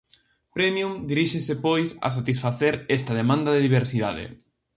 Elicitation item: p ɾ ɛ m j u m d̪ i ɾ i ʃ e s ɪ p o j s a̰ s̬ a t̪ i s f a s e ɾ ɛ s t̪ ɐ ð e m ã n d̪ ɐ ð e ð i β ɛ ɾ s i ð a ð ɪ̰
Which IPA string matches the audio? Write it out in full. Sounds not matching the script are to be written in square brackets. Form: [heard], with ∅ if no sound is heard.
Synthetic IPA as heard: p ɾ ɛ m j u m d̪ i ɾ i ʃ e s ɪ p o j s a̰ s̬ a t̪ i s f a [θ] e ɾ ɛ s t̪ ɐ ð e m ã n d̪ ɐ ð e ð i β [e] ɾ s i ð a ð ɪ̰